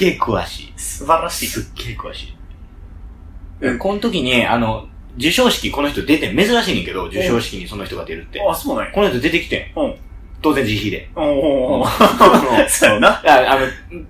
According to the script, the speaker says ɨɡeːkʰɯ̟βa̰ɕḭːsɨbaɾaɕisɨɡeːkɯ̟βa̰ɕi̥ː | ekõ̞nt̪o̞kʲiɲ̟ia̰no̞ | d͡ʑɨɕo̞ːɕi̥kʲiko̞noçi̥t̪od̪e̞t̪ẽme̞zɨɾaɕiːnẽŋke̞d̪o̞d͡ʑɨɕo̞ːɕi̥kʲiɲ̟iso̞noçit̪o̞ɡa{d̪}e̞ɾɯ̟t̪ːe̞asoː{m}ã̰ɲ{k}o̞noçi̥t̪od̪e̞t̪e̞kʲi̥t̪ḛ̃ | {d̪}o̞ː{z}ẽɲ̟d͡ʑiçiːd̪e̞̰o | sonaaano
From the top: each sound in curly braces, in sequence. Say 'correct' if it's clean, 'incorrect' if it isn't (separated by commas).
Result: correct, incorrect, correct, incorrect, correct